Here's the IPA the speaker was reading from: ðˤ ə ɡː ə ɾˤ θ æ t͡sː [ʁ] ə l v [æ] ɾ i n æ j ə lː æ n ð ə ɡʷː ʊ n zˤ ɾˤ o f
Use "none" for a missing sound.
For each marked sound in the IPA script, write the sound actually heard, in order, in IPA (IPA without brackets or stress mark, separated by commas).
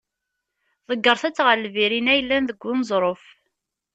ʁ, i